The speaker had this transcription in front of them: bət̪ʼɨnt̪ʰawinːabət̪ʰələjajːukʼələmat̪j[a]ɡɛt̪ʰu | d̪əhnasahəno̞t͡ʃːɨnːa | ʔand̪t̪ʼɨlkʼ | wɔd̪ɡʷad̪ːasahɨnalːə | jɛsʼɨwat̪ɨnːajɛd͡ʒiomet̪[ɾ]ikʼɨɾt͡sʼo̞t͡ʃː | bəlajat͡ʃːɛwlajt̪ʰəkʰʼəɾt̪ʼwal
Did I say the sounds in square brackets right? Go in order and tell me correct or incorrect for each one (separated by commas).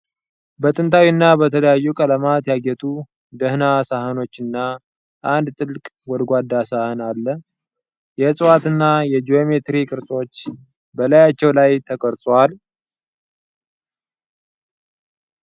correct, correct